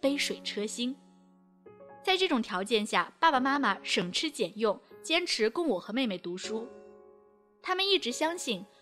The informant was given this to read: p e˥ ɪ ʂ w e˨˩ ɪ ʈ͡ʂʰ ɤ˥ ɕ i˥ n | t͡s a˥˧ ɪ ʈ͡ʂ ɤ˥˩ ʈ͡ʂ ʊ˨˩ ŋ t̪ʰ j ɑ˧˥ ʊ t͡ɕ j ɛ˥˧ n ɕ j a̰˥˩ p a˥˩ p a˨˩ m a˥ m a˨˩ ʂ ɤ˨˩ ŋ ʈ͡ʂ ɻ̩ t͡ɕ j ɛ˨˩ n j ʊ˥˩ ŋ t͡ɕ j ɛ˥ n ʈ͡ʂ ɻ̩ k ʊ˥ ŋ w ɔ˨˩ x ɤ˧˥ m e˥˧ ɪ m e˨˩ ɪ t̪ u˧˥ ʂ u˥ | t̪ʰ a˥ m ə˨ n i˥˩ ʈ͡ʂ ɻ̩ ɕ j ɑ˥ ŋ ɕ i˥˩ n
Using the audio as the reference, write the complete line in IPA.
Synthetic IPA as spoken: p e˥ ɪ ʂ w e˨˩ ɪ ʈ͡ʂʰ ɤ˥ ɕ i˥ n | t͡s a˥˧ ɪ ʈ͡ʂ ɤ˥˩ ʈ͡ʂ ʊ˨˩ ŋ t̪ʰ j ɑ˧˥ ʊ t͡ɕ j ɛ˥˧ n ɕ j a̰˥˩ p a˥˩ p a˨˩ m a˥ m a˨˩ ʂ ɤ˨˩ ŋ ʈ͡ʂʰ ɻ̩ t͡ɕ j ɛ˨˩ n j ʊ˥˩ ŋ t͡ɕ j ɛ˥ n ʈ͡ʂʰ ɻ̩ k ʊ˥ ŋ w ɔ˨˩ x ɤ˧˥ m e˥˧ ɪ m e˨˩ ɪ t̪ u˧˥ ʂ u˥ | t̪ʰ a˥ m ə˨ n i˥˩ ʈ͡ʂ ɻ̩ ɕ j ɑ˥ ŋ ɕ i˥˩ n